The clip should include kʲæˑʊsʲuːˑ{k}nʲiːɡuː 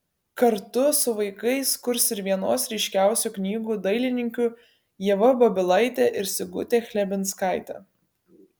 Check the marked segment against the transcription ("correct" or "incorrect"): correct